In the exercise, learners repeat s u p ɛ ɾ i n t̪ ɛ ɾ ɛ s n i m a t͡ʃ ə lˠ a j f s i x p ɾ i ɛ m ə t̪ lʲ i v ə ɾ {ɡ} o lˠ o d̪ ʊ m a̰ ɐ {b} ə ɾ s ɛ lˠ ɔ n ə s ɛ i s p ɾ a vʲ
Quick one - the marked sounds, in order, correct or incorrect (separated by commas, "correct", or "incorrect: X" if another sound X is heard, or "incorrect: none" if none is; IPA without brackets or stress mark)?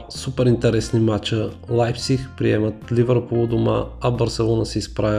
incorrect: k, correct